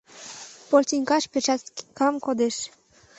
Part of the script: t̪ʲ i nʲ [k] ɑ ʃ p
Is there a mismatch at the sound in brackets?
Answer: no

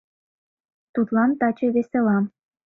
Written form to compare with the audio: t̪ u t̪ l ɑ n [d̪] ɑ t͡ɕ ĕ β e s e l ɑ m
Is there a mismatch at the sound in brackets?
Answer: yes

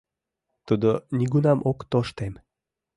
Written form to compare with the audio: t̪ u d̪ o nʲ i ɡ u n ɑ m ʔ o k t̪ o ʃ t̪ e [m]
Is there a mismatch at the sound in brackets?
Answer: no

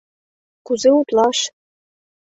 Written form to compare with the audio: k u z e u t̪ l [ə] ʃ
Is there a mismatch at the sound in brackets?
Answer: yes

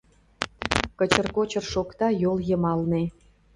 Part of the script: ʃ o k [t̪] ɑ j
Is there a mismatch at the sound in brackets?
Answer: no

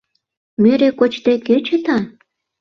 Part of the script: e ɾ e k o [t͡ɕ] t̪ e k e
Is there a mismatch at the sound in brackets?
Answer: no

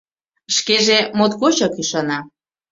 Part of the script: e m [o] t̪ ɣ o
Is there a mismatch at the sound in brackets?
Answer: no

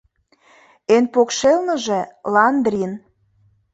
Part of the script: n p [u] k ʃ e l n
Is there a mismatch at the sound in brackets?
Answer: yes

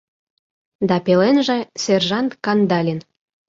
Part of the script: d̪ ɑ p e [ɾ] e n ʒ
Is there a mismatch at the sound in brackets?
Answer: yes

